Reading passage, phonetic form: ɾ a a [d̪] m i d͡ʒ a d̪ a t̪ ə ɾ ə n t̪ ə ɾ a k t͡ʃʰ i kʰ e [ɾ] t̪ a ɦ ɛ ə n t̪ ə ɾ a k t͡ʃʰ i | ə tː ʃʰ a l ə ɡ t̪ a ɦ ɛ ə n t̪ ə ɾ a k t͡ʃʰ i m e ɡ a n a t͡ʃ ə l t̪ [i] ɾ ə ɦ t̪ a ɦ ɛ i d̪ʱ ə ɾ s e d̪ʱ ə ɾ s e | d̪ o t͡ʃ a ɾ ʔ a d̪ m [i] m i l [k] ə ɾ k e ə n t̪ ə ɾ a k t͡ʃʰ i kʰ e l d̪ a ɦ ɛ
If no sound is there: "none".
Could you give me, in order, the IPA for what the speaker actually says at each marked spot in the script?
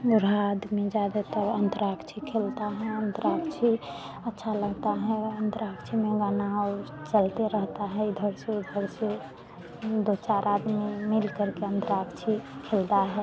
d̪, l, e, i, k

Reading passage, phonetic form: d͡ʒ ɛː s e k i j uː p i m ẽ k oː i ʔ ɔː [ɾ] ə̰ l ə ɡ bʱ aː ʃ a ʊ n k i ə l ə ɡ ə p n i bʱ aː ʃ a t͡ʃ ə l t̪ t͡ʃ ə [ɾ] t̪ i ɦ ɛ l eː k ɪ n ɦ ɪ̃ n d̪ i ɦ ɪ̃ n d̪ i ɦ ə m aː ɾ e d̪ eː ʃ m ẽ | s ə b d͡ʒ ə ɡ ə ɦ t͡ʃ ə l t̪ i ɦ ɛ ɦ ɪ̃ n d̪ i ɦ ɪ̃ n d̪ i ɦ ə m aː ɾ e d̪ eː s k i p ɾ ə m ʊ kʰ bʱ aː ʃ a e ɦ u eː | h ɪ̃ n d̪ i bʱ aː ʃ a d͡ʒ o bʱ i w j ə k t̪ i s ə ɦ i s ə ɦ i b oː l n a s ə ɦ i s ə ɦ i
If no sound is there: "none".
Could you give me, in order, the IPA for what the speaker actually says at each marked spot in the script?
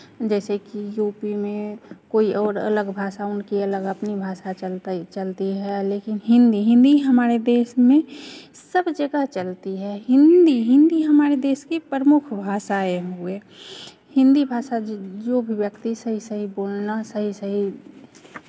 ɾ, l

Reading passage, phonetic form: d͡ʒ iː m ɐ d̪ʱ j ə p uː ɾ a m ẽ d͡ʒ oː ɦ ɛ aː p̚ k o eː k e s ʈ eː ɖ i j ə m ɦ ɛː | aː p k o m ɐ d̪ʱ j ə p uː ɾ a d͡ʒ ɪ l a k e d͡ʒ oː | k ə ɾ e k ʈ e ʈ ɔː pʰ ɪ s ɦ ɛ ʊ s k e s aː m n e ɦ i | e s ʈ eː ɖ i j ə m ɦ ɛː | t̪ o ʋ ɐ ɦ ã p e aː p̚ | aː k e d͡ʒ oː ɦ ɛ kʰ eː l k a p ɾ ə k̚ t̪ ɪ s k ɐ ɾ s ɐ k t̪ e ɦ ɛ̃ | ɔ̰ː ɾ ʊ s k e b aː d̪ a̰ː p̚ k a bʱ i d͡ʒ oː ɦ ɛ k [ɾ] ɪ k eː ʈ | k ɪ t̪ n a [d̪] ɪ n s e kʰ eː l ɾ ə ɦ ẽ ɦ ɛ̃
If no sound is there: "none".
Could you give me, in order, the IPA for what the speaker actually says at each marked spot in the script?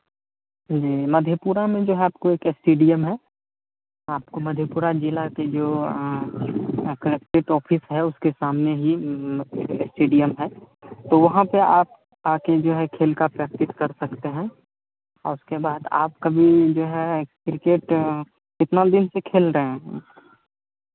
ɾ, d̪

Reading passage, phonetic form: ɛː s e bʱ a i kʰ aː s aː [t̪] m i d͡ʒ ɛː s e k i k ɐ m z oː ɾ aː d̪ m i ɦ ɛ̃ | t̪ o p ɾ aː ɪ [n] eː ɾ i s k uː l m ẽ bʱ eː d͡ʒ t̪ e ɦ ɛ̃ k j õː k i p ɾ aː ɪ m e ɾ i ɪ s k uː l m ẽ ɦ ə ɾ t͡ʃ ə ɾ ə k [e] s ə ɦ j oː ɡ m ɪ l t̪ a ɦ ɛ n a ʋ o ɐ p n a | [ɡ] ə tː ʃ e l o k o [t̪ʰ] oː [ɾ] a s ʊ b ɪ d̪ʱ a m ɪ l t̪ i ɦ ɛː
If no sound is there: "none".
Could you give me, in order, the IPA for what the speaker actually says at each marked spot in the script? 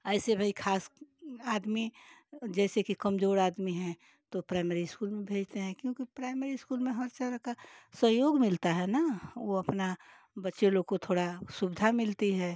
d̪, m, a, b, t̪ʰ, ɽ

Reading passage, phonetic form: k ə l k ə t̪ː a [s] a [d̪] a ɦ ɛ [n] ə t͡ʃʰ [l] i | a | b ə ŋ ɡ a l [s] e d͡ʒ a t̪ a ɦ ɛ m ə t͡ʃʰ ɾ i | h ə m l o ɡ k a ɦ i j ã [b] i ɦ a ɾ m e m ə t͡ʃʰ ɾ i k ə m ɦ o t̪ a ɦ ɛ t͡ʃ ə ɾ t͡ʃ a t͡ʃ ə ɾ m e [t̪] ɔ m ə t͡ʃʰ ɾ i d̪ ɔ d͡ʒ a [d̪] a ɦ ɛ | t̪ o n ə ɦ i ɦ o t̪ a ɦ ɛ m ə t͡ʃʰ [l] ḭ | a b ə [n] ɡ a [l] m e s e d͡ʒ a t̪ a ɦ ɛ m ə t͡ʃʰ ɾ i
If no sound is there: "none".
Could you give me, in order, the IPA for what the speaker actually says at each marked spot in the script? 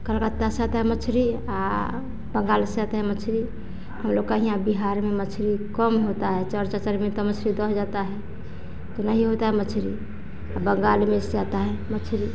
s, t̪, m, ɾ, s, b, t̪, t̪, ɾ, ŋ, l

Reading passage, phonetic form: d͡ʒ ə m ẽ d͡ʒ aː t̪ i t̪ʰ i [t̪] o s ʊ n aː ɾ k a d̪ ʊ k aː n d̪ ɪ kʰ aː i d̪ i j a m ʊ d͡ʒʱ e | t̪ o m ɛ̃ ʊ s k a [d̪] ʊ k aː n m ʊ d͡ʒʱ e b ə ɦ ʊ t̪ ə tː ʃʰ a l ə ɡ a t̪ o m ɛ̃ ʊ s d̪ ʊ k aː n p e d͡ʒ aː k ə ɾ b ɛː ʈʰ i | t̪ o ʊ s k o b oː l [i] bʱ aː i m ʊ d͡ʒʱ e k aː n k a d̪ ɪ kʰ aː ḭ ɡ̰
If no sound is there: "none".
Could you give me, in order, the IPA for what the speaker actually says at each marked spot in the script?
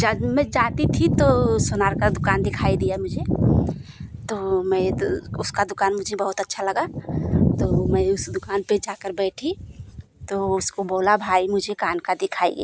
t̪, d̪, a

